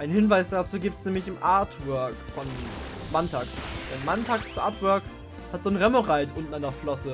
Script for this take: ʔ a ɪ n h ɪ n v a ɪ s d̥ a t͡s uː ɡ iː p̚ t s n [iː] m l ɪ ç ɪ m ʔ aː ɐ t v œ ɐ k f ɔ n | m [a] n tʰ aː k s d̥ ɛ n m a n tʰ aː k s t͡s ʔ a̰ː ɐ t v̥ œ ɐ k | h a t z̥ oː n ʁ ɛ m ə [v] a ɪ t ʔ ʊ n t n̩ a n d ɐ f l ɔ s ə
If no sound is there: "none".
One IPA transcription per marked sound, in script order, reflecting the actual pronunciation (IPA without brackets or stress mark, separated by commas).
ɛː, a, ʁ